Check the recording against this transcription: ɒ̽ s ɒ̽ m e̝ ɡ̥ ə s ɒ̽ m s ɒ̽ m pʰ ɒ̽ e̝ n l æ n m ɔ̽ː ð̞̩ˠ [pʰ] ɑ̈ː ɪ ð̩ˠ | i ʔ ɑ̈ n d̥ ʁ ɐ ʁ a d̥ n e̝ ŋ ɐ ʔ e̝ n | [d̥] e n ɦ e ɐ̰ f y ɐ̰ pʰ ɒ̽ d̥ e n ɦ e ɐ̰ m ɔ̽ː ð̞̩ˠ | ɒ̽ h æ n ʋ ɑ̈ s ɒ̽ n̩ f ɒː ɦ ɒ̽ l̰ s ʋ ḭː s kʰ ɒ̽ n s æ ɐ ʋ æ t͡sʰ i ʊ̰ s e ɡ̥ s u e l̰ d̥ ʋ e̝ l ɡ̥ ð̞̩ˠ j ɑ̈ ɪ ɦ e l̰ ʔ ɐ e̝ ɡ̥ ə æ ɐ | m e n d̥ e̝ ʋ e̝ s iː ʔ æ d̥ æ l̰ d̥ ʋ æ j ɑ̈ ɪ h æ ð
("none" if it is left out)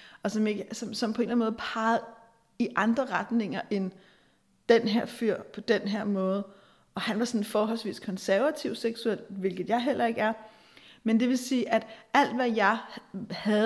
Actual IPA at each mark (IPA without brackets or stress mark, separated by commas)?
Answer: pʰ, d̥